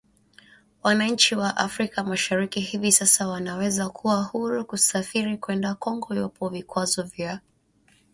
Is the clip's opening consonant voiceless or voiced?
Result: voiced